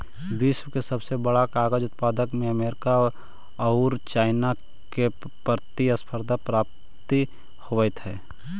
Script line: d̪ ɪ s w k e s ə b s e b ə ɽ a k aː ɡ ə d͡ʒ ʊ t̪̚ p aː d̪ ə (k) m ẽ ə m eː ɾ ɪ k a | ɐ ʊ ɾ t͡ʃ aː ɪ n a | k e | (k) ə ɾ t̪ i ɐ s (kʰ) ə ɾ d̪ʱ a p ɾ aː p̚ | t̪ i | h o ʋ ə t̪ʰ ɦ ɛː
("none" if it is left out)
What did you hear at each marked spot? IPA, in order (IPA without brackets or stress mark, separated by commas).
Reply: k, p, pʰ